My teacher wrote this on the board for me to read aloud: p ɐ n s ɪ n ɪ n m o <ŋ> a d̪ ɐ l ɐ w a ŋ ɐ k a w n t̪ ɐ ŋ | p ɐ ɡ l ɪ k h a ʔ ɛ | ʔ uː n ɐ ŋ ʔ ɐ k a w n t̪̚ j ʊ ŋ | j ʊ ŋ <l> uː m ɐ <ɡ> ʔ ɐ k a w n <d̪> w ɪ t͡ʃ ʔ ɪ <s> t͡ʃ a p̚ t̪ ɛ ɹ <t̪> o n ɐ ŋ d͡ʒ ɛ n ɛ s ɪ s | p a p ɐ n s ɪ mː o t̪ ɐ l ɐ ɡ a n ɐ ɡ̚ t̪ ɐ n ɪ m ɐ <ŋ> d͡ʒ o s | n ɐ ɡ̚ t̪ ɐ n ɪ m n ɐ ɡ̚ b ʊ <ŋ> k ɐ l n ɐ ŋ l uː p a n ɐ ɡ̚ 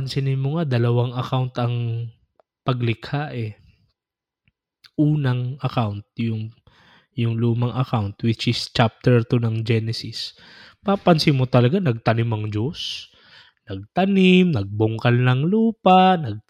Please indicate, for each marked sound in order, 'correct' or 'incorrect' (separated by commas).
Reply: correct, correct, incorrect, incorrect, correct, correct, correct, correct